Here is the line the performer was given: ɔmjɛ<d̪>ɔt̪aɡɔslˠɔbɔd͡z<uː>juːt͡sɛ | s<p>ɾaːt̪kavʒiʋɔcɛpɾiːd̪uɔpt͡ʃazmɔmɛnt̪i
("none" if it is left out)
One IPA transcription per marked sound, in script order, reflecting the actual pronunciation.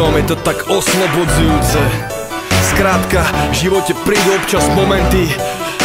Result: t̪, u, k

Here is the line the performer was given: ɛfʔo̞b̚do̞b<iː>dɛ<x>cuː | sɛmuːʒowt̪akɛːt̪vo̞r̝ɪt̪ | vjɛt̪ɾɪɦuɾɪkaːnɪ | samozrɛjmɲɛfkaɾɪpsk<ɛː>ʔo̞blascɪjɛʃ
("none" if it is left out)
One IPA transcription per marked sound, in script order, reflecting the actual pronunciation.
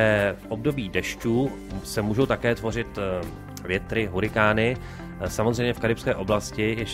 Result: iː, ʃ, ɛː

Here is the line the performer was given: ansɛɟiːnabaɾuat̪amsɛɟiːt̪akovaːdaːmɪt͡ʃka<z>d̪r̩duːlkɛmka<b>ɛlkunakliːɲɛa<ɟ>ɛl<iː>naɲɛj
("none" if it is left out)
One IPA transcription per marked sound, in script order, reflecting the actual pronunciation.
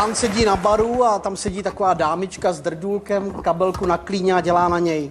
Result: z, b, ɟ, aː

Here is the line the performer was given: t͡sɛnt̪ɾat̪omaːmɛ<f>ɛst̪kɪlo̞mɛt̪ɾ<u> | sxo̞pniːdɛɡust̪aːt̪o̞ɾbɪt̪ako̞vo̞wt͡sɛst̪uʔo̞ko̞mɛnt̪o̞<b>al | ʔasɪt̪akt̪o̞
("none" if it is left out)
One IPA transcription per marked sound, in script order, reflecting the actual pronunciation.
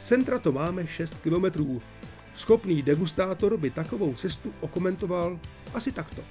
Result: ʃ, uː, v

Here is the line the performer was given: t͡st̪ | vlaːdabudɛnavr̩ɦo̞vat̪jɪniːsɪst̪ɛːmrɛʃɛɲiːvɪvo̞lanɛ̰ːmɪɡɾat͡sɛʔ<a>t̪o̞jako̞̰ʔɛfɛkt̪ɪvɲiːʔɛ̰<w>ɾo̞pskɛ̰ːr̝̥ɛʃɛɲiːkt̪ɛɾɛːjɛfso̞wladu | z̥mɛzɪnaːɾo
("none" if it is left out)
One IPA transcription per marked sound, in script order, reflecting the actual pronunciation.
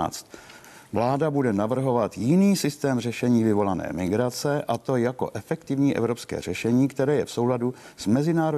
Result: a, v

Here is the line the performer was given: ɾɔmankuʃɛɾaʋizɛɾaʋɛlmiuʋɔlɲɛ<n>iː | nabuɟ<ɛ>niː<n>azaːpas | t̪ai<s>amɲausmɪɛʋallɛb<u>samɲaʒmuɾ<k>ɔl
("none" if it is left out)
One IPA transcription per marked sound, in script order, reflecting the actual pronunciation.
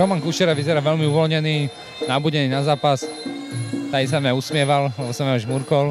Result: n, ɛ, n, s, ɔ, k

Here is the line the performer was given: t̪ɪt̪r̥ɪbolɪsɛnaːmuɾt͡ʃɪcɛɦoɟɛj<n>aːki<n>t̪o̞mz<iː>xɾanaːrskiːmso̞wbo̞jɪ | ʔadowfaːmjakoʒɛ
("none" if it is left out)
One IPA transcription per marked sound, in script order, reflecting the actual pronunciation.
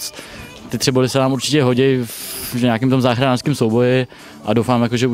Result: ɲ, m, aː

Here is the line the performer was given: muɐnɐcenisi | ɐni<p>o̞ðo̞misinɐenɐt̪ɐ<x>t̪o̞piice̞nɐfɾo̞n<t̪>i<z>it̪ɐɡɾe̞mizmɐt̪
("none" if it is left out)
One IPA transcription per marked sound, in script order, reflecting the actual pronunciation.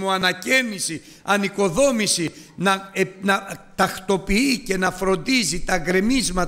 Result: k, x, d̪, z

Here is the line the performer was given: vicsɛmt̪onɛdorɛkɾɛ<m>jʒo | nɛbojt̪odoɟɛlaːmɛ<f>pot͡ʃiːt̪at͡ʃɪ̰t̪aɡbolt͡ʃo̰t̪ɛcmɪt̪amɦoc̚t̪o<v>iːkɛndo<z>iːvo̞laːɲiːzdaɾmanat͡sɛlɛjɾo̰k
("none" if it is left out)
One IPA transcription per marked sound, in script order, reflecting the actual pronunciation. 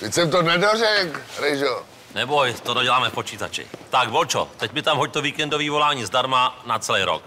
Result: none, f, v, v

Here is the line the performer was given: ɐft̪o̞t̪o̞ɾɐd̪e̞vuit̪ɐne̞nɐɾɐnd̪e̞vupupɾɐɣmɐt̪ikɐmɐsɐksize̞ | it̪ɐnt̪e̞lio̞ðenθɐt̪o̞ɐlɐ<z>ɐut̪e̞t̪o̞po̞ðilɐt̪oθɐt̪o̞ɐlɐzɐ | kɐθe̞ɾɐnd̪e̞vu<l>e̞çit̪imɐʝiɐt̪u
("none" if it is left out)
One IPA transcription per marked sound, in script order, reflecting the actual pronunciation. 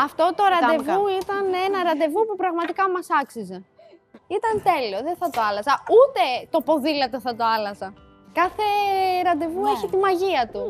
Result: z, none

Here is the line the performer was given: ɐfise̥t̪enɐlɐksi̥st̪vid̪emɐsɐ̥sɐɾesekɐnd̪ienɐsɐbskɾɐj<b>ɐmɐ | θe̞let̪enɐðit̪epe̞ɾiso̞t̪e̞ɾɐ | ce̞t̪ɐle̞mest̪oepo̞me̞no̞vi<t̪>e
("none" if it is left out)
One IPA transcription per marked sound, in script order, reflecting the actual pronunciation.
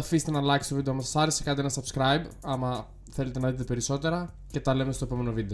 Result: b, d̪

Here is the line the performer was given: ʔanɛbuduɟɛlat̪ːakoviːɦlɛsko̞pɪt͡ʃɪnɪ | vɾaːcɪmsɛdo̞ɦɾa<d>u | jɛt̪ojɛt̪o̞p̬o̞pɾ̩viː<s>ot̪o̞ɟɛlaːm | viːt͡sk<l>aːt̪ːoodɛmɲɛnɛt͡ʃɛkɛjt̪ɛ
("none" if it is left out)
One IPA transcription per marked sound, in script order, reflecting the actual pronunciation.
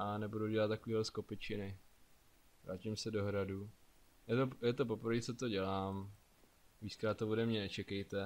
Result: d, t͡s, ɾ

